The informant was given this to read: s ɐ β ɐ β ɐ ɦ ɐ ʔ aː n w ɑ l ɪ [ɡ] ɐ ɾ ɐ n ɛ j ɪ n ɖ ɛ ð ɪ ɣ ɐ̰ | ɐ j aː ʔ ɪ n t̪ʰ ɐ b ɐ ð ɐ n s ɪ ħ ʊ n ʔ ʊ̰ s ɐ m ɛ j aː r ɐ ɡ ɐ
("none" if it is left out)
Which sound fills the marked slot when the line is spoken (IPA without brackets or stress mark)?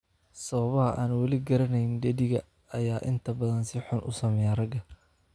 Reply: ɡ